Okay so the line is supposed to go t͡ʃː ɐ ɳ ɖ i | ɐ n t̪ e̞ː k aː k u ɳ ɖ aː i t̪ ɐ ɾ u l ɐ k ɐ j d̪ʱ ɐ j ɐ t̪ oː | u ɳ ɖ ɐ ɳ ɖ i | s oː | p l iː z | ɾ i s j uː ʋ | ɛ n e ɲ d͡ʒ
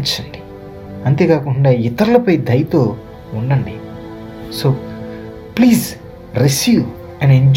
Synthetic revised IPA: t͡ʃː ɐ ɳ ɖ i | ɐ n t̪ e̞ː k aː k u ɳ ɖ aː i t̪ ɐ ɾ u l ɐ p ɐ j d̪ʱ ɐ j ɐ t̪ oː | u ɳ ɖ ɐ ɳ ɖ i | s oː | p l iː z | ɾ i s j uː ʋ | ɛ n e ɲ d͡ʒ